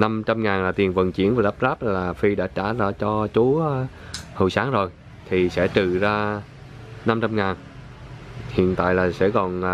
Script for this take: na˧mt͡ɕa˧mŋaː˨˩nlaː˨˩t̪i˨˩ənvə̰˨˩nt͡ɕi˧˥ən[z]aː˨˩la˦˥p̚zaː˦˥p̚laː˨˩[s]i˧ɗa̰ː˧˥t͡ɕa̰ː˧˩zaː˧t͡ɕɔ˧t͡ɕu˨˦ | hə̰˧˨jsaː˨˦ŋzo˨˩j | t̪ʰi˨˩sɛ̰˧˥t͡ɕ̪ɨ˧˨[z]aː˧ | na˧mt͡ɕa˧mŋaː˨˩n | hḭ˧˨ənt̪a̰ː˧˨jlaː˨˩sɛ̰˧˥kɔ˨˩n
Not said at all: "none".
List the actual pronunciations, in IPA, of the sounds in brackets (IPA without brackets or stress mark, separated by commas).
v, f, z